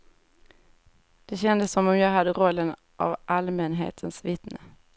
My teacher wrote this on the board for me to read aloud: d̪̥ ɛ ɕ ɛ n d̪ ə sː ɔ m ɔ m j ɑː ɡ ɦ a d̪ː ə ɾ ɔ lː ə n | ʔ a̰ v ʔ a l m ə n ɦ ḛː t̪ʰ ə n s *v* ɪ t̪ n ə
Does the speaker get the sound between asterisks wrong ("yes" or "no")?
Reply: no